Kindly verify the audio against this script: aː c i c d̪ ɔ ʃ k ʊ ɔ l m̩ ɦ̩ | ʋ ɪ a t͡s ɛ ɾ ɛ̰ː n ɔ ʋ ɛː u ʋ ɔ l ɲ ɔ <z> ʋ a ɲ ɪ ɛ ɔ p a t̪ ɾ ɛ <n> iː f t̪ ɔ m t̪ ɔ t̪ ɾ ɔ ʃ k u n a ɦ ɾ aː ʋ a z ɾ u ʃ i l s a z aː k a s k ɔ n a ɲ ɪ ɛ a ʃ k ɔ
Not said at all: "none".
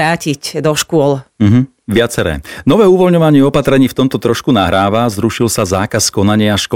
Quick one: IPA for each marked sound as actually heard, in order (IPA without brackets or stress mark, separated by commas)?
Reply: none, ɲ